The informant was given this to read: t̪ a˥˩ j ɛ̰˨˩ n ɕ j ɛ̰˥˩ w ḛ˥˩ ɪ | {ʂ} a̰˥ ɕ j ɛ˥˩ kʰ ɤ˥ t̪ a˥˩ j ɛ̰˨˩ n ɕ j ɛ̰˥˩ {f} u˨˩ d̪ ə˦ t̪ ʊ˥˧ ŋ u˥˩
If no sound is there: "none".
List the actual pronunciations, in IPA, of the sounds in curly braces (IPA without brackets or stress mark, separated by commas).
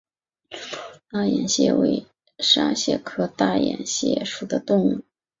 ʂ, ʂ